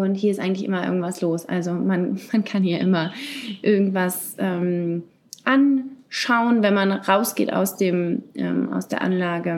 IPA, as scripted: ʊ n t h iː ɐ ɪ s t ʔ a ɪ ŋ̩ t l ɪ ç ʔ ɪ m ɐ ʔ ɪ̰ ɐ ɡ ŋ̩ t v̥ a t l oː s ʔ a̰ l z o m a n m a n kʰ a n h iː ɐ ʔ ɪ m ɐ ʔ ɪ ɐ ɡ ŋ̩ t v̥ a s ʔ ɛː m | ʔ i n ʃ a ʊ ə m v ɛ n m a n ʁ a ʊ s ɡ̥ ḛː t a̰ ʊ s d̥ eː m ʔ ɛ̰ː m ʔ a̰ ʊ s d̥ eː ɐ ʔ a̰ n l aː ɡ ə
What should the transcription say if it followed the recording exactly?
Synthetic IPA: ʊ n t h iː ɐ ɪ s t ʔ a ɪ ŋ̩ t l ɪ ç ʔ ɪ m ɐ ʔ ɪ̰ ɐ ɡ ŋ̩ t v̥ a s l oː s ʔ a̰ l z o m a n m a n kʰ a n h iː ɐ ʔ ɪ m ɐ ʔ ɪ ɐ ɡ ŋ̩ t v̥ a s ʔ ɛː m | ʔ a n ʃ a ʊ ə n v ɛ n m a n ʁ a ʊ s ɡ̥ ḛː t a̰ ʊ s d̥ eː m ʔ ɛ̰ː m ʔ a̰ ʊ s d̥ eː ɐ ʔ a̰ n l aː ɡ ə